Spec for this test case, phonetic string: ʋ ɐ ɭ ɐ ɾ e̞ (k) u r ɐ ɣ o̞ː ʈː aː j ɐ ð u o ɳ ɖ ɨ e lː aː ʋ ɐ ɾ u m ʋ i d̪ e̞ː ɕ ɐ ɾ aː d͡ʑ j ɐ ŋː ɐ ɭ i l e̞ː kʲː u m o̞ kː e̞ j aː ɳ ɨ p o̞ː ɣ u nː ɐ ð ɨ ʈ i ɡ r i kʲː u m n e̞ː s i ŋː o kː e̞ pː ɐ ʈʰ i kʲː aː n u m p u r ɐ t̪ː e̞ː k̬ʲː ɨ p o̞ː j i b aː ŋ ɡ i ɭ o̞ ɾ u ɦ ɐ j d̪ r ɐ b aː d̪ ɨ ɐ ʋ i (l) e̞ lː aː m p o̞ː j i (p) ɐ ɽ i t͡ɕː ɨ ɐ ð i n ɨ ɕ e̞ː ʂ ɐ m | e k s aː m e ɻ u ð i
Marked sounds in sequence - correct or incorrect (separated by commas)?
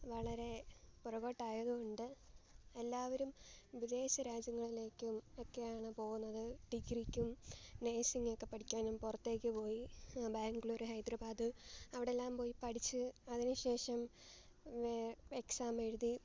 incorrect, incorrect, correct